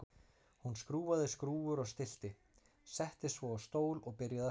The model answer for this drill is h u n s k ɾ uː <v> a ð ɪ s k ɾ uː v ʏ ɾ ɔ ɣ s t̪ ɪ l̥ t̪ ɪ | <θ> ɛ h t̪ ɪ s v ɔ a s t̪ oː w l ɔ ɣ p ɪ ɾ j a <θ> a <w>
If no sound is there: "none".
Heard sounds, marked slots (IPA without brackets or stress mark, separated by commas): v, s, ð, none